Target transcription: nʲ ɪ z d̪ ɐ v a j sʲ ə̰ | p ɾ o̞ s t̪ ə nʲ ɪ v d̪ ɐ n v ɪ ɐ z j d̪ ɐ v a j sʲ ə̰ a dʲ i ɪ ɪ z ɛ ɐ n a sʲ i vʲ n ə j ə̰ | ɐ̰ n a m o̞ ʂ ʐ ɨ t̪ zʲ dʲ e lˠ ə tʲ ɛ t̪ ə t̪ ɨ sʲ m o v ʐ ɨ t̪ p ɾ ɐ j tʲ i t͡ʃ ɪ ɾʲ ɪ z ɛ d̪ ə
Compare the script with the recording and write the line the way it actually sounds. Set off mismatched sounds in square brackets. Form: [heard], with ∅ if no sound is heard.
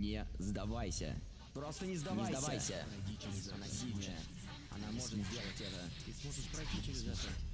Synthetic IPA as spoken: nʲ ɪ z d̪ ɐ v a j sʲ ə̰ | p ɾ o̞ s t̪ ə nʲ ɪ [z] d̪ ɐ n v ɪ [a] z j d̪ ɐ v a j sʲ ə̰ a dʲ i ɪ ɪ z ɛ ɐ n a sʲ i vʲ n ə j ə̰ | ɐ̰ n a m o̞ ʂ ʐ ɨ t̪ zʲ dʲ e lˠ ə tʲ ɛ t̪ ə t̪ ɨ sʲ m o [∅] ʐ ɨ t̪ p ɾ ɐ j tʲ i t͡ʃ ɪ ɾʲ ɪ z ɛ [t̪] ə